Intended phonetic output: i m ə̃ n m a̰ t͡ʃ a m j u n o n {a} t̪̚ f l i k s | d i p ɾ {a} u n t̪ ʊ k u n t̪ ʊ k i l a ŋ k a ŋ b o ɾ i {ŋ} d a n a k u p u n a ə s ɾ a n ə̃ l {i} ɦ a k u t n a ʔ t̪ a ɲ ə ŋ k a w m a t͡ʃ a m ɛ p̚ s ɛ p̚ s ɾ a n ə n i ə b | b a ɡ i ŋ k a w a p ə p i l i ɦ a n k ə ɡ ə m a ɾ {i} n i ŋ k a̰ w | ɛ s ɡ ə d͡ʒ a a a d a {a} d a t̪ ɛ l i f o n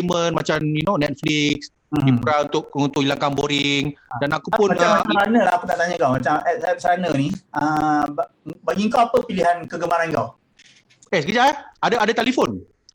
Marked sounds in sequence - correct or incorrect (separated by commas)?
incorrect, correct, correct, incorrect, incorrect, correct